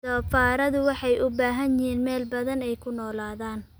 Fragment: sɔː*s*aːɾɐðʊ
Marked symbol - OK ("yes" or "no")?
no